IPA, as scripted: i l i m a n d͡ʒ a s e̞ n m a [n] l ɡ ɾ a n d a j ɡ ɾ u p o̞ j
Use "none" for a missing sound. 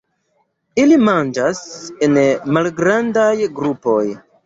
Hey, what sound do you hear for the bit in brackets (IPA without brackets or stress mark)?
none